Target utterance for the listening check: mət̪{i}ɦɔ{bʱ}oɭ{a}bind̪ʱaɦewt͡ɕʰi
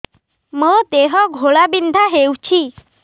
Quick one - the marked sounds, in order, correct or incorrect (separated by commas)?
incorrect, incorrect, correct